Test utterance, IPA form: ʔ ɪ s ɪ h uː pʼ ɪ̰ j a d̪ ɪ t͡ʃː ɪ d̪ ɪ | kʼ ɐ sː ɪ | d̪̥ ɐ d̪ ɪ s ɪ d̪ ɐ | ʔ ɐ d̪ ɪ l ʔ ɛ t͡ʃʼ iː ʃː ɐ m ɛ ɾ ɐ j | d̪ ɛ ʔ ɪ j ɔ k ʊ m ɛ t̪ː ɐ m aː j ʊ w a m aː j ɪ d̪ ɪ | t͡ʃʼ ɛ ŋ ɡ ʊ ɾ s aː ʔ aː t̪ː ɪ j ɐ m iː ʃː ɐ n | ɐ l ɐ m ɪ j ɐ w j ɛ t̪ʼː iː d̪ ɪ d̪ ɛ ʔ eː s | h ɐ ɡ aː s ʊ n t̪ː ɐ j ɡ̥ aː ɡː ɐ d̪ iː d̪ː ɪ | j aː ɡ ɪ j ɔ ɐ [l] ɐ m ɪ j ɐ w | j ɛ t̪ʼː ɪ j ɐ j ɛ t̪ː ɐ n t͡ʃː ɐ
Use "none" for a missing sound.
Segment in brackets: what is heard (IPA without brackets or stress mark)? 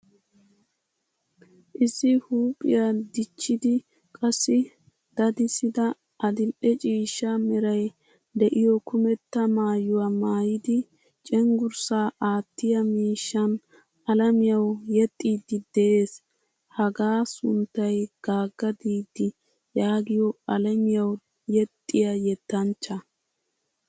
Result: l